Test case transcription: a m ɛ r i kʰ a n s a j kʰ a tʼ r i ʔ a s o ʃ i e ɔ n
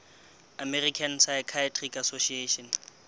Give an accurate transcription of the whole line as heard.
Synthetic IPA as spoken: a m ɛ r i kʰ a n s a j kʰ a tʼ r i k a s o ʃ i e ɔ n